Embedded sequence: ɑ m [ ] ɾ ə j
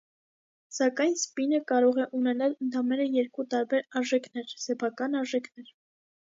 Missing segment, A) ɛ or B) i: A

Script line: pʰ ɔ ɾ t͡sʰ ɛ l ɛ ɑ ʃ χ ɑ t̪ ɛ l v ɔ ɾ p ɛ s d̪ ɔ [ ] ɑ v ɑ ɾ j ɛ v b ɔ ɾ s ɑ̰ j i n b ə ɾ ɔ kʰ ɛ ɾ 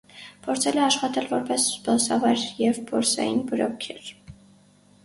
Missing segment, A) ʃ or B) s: B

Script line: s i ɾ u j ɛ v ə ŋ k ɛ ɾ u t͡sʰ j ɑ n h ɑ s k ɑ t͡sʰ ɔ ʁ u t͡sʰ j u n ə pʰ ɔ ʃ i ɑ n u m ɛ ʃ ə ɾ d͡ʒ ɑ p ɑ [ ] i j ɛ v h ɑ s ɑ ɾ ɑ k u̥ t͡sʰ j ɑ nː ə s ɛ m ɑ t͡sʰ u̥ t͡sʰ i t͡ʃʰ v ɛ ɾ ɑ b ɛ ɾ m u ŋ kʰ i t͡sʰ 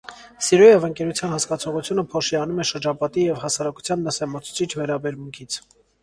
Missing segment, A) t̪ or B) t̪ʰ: A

